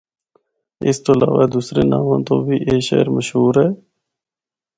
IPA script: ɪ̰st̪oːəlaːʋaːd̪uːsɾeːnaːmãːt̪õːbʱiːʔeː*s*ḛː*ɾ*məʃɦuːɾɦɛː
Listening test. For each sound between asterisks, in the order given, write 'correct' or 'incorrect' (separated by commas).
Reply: incorrect, correct